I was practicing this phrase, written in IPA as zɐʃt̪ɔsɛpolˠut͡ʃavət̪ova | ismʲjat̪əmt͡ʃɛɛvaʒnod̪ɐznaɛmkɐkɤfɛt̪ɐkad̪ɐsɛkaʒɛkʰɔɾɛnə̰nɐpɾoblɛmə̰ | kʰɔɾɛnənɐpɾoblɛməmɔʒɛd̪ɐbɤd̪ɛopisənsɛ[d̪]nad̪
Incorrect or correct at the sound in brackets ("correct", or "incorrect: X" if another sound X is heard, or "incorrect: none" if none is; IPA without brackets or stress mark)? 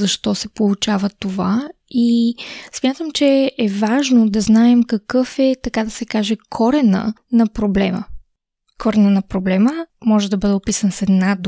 correct